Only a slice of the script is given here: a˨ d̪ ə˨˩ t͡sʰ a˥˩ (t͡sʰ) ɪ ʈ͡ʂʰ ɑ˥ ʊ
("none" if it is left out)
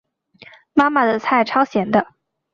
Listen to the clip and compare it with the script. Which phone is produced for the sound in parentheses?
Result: none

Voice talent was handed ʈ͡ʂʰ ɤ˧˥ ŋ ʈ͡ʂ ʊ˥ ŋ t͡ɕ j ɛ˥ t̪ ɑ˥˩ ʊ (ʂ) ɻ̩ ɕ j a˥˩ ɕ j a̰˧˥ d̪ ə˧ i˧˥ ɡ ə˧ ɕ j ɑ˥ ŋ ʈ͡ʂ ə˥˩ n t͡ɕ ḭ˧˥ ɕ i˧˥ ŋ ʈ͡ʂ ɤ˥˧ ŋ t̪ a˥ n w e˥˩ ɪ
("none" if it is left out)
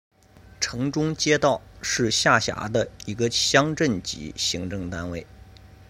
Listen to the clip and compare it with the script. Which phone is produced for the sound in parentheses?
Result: ʂ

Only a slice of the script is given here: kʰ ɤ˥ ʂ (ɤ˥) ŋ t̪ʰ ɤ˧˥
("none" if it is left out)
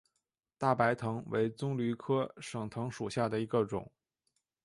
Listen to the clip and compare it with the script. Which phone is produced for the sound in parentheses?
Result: ɤ˨˩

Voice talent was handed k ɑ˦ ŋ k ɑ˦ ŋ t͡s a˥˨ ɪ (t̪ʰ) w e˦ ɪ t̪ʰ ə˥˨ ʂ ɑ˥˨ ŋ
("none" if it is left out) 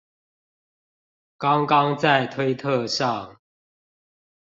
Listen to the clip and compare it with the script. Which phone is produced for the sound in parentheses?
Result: t̪ʰ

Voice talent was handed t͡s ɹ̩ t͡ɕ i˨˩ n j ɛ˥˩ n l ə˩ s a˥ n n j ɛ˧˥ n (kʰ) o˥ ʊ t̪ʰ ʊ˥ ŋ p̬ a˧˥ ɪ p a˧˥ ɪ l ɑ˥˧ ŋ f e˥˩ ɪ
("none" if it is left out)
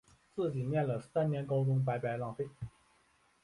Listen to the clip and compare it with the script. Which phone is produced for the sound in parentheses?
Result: k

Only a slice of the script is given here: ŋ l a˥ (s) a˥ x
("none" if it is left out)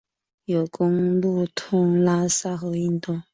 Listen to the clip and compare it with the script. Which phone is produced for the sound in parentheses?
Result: s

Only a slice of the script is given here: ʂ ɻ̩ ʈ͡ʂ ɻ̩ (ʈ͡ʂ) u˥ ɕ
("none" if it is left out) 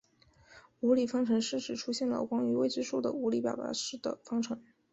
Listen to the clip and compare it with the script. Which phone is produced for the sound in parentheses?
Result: ʈ͡ʂʰ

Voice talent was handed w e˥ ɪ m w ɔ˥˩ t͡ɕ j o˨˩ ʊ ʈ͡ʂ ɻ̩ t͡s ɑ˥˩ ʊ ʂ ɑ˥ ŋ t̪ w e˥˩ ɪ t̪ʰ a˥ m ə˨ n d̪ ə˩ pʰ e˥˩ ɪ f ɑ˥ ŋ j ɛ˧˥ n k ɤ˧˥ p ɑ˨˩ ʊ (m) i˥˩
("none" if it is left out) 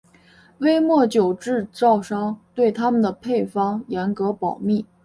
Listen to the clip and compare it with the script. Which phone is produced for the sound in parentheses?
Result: m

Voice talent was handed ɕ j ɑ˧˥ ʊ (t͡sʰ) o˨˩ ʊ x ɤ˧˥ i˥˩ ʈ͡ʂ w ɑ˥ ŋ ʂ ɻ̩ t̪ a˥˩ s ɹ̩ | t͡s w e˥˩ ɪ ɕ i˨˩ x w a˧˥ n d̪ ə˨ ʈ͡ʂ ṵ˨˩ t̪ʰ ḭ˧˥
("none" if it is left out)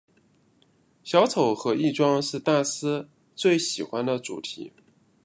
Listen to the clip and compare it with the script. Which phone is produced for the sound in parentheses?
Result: t͡sʰ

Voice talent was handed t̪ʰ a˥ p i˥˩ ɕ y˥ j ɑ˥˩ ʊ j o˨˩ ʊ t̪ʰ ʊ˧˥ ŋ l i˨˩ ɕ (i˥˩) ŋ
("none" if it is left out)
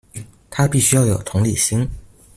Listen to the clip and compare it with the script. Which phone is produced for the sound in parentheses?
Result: i˥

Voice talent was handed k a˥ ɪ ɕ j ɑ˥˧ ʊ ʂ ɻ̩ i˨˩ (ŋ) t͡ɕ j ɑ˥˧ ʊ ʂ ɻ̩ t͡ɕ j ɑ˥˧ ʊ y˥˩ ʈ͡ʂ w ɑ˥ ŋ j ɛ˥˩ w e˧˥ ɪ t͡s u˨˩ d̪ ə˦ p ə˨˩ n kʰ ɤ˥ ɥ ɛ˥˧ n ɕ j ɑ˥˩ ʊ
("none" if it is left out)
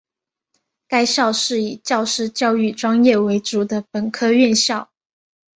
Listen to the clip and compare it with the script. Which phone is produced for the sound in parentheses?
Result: none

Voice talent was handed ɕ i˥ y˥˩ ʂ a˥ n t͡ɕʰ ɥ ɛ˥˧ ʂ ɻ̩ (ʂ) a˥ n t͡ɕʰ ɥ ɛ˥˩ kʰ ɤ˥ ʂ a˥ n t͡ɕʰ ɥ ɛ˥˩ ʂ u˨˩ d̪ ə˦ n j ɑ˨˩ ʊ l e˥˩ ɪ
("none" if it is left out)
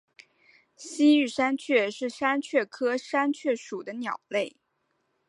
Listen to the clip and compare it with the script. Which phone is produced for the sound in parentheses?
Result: ʂ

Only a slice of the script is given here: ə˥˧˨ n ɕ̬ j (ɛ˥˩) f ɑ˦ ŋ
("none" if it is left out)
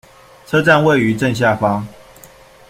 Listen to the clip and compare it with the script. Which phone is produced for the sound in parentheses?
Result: a˥˩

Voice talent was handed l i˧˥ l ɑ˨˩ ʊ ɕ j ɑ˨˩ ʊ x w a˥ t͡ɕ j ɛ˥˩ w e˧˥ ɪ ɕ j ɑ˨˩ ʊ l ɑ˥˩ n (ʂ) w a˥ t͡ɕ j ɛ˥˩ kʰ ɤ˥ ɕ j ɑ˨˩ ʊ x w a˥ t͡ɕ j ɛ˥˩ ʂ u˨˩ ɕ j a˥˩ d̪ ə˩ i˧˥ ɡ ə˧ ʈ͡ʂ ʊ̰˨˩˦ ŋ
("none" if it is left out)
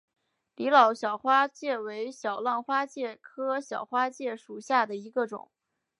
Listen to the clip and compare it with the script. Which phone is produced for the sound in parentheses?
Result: x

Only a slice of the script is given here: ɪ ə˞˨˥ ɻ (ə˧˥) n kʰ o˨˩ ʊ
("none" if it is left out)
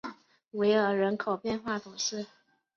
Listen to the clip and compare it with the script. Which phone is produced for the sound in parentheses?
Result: ə˧˥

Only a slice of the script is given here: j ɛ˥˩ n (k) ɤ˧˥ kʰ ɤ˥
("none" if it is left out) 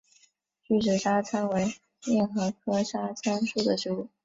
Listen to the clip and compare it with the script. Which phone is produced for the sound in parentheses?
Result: x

